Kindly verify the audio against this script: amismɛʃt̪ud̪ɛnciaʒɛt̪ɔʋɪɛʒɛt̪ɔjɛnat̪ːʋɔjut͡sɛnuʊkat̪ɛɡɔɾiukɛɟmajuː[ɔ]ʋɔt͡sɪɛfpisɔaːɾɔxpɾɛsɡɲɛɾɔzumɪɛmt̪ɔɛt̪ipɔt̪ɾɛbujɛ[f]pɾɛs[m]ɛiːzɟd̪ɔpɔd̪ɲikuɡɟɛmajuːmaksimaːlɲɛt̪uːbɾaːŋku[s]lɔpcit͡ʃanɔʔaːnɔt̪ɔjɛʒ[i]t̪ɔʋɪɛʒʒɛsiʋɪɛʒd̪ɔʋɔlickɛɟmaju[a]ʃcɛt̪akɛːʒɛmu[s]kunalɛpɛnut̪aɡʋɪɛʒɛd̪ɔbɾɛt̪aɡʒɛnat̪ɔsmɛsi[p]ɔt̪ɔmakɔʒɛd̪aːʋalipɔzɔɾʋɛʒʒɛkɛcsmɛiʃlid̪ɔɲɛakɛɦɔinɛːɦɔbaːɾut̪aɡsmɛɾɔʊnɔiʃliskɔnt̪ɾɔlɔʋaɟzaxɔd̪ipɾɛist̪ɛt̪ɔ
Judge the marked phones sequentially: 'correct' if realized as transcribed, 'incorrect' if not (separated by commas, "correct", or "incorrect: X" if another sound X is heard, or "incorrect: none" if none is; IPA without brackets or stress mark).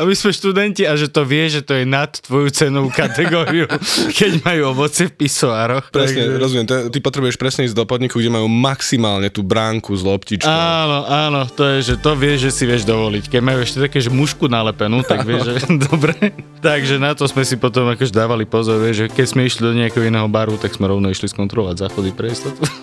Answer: correct, incorrect: ʃ, incorrect: ɲ, incorrect: z, incorrect: ɛ, incorrect: ɛ, incorrect: ʃ, correct